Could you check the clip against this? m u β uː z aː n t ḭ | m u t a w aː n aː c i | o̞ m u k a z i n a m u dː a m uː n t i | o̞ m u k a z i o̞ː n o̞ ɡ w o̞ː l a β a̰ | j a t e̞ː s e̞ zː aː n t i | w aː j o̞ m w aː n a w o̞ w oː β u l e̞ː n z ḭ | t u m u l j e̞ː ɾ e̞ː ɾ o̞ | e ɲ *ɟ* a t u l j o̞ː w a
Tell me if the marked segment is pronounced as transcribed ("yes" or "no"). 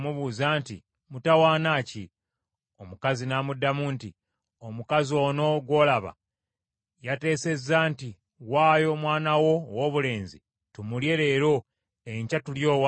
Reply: no